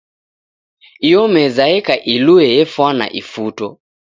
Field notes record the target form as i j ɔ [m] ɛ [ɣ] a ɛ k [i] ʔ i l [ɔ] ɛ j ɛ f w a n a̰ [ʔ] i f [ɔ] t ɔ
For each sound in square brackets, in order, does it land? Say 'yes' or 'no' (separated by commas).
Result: yes, no, no, no, yes, no